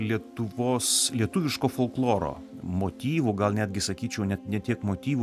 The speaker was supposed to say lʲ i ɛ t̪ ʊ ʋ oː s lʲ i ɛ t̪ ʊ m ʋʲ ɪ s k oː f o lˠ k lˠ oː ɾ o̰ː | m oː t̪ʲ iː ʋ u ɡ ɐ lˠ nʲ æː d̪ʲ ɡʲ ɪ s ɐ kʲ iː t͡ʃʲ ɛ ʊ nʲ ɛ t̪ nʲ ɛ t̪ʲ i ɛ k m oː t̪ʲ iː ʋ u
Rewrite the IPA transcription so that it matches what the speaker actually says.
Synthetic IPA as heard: lʲ i ɛ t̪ ʊ ʋ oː s lʲ i ɛ t̪ ʊ ʋʲ ɪ ʃ k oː f o lˠ k lˠ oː ɾ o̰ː | m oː t̪ʲ iː ʋ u ɡ ɐ lˠ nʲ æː d̪ʲ ɡʲ ɪ s ɐ kʲ iː t͡ʃʲ ɛ ʊ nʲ ɛ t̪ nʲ ɛ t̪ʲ i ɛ k m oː t̪ʲ iː ʋ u